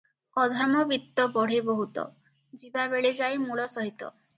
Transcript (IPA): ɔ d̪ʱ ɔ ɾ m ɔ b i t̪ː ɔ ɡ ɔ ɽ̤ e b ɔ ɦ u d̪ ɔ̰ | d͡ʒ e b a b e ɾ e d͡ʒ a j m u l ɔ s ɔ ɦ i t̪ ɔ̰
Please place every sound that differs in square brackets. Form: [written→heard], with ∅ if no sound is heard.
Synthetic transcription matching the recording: ɔ d̪ʱ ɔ ɾ m ɔ b i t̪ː ɔ [ɡ→b] ɔ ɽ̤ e b ɔ ɦ u [d̪→t̪] ɔ̰ | d͡ʒ [e→i] b a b e [ɾ→ɭ] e d͡ʒ a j m u [l→ɭ] ɔ s ɔ ɦ i t̪ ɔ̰